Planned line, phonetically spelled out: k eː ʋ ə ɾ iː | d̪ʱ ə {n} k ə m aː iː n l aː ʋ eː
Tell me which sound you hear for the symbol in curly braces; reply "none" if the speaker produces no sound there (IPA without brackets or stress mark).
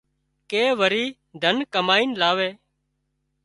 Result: n